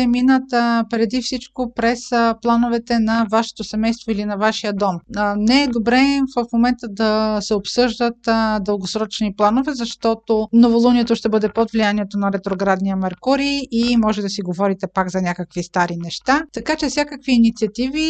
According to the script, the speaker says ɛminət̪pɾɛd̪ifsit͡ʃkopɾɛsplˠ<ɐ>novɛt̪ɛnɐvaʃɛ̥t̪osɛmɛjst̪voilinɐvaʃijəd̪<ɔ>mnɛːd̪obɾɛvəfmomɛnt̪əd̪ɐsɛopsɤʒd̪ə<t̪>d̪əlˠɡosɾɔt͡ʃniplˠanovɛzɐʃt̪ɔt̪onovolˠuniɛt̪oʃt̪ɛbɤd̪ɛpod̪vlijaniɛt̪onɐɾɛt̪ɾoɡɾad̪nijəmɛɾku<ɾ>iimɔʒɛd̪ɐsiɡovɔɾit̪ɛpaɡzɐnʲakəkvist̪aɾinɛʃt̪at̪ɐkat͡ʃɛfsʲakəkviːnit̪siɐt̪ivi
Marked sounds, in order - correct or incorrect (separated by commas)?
incorrect, correct, correct, correct